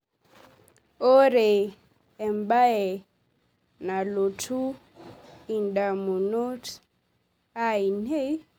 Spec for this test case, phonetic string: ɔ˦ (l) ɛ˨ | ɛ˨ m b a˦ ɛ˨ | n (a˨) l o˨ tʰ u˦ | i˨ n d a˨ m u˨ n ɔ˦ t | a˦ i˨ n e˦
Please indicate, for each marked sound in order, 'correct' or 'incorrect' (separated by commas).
incorrect, correct